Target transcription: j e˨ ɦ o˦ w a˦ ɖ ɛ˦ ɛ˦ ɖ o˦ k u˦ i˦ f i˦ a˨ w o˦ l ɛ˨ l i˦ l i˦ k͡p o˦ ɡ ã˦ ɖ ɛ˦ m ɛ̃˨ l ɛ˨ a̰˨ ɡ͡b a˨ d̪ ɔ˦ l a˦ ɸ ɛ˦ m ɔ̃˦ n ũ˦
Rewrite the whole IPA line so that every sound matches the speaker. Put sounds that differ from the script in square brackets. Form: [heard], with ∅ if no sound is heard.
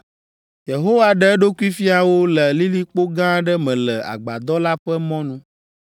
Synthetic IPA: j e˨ ɦ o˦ w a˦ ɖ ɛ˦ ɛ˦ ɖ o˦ k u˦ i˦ f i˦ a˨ w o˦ l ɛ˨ l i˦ l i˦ k͡p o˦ ɡ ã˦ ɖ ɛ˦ m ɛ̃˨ l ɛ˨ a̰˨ ɡ͡b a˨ d̪ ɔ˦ l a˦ ɸ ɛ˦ m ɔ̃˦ n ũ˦